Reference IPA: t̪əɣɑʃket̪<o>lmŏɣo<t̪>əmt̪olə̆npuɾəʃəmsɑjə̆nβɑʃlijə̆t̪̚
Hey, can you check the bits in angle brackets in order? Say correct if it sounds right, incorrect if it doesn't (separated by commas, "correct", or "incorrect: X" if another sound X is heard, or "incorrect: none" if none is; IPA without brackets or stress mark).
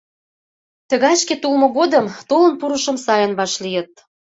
incorrect: u, incorrect: d̪